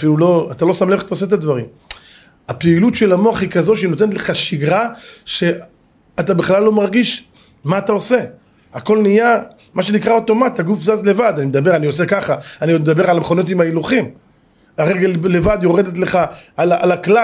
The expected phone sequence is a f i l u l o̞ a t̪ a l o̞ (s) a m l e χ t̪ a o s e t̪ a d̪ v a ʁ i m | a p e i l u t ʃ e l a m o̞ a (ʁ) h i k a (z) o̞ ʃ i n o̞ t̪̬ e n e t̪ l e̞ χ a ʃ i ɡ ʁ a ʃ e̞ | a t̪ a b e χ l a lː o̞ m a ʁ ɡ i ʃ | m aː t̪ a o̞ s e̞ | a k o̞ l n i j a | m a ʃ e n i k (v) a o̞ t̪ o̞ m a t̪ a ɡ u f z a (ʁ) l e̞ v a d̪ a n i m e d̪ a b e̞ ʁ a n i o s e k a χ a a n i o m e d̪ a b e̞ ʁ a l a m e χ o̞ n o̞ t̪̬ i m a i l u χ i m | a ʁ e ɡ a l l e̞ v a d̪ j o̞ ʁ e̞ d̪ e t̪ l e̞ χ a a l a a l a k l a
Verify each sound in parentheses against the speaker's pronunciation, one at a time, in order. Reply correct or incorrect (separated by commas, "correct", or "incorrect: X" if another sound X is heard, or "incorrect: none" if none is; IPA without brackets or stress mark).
correct, incorrect: χ, correct, incorrect: ʁ, incorrect: z